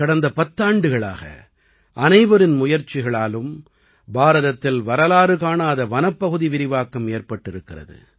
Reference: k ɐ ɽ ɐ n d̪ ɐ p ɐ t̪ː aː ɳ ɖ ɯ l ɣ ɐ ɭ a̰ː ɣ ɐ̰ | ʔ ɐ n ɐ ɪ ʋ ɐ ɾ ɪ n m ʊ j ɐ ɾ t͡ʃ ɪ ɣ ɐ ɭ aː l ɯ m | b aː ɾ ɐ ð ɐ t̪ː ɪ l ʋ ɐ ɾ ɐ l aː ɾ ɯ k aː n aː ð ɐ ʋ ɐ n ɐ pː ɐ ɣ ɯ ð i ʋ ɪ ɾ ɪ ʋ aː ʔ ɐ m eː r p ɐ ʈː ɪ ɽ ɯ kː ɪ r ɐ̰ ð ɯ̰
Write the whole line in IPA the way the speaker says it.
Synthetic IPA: k ɐ ɽ ɐ n d̪ ɐ p ɐ t̪ː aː ɳ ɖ ɯ ɣ ɐ ɭ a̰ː ɣ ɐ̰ | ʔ ɐ n ɐ ɪ ʋ ɐ ɾ ɪ n m ʊ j ɐ ɾ t͡ʃ ɪ ɣ ɐ ɭ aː l ɯ m | b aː ɾ ɐ ð ɐ t̪ː ɪ l ʋ ɐ ɾ ɐ l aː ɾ ɯ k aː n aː ð ɐ ʋ ɐ n ɐ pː ɐ ɣ ɯ ð i ʋ ɪ ɾ ɪ ʋ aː k ɐ m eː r p ɐ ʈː ɪ ɾ ɯ kː ɪ r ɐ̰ ð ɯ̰